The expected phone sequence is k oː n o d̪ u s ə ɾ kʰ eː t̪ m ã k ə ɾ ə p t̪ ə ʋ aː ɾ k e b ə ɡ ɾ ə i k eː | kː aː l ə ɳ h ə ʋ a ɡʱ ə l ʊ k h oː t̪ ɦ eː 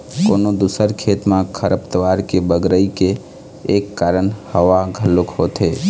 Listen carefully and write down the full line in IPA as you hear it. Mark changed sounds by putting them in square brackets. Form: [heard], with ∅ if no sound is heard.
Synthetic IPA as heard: k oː n o d̪ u s ə ɾ kʰ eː t̪ m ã [kʰ] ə ɾ ə p t̪ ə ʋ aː ɾ k e b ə ɡ ɾ ə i k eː | kː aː [ɾ] ə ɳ h ə ʋ a ɡʱ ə l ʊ k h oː t̪ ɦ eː